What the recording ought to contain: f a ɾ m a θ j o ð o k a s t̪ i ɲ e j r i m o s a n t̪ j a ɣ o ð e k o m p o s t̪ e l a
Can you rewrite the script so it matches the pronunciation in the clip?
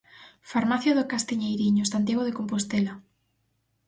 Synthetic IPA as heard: f a ɾ m a θ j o ð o k a s t̪ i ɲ e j ɾ i ɲ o s a n t̪ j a ɣ o ð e k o m p o s t̪ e l a